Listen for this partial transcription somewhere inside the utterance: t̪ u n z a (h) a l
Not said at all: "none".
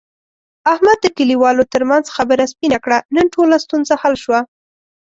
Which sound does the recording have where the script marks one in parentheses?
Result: h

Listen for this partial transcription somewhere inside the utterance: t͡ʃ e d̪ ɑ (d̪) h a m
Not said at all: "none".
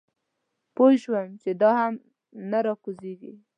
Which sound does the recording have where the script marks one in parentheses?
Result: none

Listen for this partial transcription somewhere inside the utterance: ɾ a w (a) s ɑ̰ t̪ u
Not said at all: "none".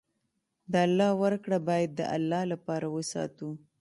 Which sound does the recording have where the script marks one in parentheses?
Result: ə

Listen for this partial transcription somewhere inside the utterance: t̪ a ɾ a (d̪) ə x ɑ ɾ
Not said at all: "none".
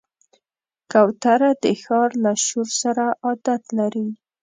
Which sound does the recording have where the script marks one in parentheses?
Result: d̪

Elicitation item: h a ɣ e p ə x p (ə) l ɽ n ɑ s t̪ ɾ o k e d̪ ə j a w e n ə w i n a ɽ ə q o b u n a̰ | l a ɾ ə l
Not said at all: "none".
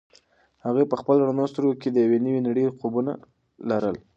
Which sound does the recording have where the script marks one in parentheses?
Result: ə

